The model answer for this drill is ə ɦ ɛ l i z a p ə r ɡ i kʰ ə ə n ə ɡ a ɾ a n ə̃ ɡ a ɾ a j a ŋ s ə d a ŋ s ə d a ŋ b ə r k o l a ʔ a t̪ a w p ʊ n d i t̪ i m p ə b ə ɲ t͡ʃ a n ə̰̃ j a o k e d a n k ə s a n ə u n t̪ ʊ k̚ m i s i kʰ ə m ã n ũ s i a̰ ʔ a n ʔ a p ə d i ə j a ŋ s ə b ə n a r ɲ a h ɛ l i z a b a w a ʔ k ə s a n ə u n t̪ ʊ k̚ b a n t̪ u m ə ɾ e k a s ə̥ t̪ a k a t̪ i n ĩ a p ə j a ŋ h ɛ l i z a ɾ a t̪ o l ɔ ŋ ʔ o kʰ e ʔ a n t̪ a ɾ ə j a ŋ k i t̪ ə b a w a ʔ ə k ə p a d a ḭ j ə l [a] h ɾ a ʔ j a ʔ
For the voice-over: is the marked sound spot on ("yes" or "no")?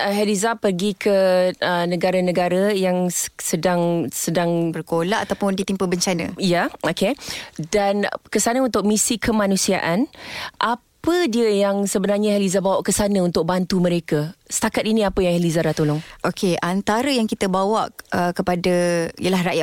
yes